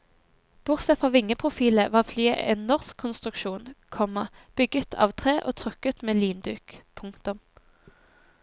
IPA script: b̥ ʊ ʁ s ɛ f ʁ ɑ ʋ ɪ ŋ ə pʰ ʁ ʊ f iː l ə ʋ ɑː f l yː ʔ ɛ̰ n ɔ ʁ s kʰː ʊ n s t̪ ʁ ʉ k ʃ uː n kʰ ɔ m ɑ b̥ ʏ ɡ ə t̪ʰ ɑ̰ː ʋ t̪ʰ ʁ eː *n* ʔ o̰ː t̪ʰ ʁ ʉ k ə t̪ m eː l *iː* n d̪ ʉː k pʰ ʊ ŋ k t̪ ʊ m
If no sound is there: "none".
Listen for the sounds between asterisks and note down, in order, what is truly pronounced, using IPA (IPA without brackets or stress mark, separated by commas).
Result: none, iː